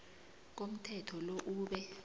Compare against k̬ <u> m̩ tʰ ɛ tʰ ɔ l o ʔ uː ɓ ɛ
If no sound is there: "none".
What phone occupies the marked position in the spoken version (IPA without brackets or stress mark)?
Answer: o